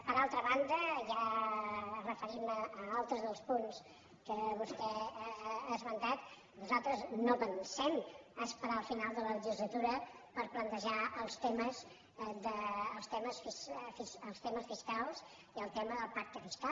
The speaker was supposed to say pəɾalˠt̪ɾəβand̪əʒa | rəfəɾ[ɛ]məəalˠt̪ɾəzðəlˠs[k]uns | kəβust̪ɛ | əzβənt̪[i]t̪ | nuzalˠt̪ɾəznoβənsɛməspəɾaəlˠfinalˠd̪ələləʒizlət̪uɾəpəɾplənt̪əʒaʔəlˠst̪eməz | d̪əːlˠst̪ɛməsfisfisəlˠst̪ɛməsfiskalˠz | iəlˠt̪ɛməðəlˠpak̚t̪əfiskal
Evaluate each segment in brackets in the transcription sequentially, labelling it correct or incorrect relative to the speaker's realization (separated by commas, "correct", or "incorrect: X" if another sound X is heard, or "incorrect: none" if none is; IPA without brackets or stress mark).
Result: incorrect: i, incorrect: p, incorrect: a